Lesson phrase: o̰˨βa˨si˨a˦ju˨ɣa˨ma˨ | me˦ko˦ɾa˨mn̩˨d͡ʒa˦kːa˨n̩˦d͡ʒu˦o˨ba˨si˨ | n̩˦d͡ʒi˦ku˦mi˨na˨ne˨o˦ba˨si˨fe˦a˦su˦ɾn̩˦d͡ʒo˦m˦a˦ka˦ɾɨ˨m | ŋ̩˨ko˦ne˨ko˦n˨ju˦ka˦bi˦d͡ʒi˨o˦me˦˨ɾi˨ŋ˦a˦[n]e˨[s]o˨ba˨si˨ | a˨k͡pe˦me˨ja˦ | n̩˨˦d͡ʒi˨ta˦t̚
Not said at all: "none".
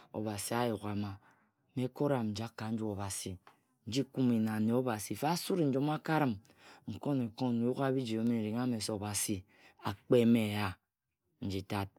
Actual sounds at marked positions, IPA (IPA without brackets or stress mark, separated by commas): m, s